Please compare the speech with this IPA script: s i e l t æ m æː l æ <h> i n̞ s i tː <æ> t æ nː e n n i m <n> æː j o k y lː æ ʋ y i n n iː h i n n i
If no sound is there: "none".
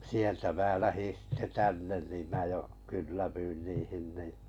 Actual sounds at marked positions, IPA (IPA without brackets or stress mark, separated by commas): h, e, m